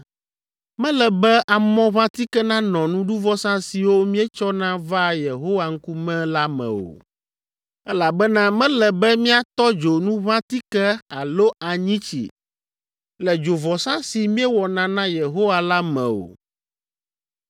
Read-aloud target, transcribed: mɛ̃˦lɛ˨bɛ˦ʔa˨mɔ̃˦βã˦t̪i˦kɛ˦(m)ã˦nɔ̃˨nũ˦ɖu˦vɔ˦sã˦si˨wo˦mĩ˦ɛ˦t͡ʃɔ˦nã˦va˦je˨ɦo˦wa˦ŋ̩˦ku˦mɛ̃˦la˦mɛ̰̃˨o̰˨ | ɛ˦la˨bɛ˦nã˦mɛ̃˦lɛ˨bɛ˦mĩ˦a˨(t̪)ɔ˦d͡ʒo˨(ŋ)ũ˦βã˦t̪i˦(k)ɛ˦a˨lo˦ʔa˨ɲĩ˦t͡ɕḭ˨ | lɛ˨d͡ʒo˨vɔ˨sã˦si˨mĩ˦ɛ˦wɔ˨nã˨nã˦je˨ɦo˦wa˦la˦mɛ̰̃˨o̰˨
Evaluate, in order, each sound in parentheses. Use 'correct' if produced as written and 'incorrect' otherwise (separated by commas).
incorrect, correct, incorrect, correct